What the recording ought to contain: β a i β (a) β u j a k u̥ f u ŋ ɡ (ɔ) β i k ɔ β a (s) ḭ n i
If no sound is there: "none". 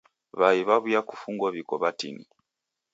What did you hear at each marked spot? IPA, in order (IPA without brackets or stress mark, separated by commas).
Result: a, ɔ, t